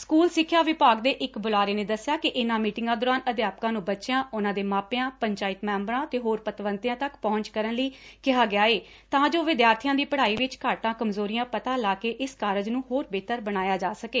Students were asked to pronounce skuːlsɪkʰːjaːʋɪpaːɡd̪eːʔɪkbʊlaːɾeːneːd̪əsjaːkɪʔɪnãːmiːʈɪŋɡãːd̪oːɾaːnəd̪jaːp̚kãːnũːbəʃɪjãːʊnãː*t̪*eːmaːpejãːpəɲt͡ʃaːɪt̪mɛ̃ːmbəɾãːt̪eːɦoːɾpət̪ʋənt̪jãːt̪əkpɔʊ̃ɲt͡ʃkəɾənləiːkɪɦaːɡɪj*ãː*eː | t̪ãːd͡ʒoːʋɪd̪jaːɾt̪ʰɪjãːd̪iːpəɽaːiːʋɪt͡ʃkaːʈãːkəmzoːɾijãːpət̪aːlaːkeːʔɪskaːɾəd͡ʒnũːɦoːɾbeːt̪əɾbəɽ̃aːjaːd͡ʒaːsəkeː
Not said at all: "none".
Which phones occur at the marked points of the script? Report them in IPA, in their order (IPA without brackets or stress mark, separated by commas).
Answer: d̪, aː